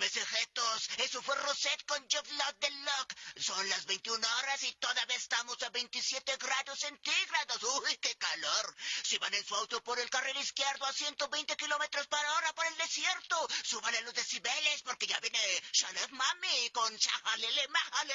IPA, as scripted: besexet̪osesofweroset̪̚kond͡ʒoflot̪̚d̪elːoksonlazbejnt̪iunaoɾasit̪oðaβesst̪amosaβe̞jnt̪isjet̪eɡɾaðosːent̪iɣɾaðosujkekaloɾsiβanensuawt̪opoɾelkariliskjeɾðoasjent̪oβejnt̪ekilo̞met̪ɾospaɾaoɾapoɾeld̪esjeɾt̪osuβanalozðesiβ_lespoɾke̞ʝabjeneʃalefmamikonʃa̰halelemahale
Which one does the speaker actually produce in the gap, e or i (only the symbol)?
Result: e